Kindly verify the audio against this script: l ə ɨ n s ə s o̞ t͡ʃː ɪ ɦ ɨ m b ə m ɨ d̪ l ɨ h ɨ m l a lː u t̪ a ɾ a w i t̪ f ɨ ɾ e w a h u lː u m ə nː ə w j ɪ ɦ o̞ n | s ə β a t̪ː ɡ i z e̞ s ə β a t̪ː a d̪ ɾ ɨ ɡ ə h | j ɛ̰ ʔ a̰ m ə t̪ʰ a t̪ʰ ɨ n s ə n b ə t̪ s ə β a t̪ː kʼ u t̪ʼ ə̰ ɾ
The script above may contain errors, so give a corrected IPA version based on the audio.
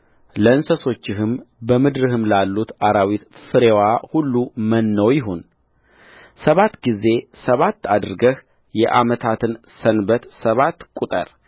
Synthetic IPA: l ə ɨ n s ə s o̞ t͡ʃː ɪ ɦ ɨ m b ə m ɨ d̪ ɾ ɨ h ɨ m l a lː u t̪ a ɾ a w i t̪ f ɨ ɾ e w a h u lː u m ə nː ə w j ɪ ɦ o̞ n | s ə β a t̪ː ɡ i z e̞ s ə β a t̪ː a d̪ ɾ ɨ ɡ ə h | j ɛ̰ ʔ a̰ m ə t̪ʰ a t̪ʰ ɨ n s ə n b ə t̪ s ə β a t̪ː kʼ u t̪ʼ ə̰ ɾ

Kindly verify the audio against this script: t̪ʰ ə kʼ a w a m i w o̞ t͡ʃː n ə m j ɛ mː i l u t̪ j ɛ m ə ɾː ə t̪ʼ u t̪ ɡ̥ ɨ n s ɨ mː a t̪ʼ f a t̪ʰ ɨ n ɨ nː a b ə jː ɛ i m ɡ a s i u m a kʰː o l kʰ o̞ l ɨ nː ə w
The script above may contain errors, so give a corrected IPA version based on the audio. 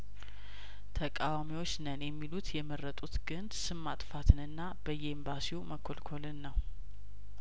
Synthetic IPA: t̪ʰ ə kʼ a w a m i w o̞ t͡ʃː n ə n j ɛ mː i l u t̪ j ɛ m ə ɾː ə t̪ʼ u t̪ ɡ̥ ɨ n s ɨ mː a t̪ʼ f a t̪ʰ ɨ n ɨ nː a b ə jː ɛ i m b a s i u m ə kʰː o l kʰ o̞ l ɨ nː ə w

